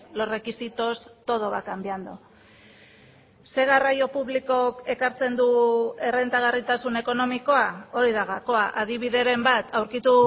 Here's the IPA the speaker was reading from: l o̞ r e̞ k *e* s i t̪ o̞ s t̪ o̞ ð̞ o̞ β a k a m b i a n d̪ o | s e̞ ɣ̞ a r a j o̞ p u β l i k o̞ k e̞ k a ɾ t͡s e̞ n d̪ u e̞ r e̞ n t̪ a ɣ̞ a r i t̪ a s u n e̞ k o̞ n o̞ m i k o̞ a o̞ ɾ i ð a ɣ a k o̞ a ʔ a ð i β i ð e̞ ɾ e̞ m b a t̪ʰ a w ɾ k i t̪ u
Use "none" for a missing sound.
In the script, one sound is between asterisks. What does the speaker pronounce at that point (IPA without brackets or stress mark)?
i